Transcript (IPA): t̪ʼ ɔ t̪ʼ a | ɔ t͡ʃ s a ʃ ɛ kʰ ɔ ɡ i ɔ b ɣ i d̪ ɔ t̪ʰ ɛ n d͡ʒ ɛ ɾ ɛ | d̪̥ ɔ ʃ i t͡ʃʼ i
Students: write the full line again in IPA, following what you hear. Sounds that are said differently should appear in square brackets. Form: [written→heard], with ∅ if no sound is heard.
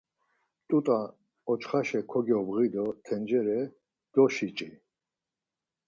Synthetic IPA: t̪ʼ [ɔ→u] t̪ʼ a | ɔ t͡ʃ [s→χ] a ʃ ɛ kʰ ɔ ɡ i ɔ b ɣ i d̪ ɔ t̪ʰ ɛ n d͡ʒ ɛ ɾ ɛ | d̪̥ ɔ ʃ i t͡ʃʼ i